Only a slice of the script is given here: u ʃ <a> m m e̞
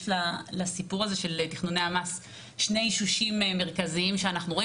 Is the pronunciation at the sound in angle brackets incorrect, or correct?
incorrect